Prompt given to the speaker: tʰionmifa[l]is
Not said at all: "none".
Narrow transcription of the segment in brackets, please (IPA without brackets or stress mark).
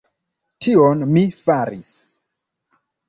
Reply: ɾ